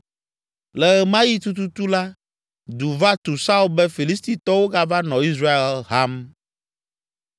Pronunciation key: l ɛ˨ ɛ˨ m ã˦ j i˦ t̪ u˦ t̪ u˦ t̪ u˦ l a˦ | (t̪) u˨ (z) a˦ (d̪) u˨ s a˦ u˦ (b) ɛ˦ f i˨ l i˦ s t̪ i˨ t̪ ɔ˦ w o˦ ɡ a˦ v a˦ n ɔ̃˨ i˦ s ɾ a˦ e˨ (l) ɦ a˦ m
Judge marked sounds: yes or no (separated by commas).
no, no, no, yes, yes